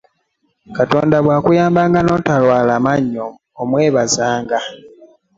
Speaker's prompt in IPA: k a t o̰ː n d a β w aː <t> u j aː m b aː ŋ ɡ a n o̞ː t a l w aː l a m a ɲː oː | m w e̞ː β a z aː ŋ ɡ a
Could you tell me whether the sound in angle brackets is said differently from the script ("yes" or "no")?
yes